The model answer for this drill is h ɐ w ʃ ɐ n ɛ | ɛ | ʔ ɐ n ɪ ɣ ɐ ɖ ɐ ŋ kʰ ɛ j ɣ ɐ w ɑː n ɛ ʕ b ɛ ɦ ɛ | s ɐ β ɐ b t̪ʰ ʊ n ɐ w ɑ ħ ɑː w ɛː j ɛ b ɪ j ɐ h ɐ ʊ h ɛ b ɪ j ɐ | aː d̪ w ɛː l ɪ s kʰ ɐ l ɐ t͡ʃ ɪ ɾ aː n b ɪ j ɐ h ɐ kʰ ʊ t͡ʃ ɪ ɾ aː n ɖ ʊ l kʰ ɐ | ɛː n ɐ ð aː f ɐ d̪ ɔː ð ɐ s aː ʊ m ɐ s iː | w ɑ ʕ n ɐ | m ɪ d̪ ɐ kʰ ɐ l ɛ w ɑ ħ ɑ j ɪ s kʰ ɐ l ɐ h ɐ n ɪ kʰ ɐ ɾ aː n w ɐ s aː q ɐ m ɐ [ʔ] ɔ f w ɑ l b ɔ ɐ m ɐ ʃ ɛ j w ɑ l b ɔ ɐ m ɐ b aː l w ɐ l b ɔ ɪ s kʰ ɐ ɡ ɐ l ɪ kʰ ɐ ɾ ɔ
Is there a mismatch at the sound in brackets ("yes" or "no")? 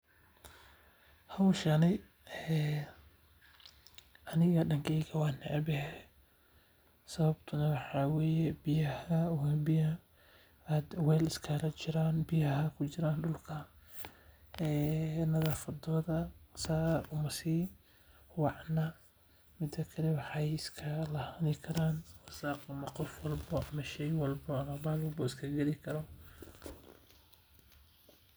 yes